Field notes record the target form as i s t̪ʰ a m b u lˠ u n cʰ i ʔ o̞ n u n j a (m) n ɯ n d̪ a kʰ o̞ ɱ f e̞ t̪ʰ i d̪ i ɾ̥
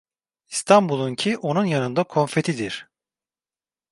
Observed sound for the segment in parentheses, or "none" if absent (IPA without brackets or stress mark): none